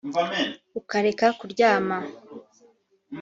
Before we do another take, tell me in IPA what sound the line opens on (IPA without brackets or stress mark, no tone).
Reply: u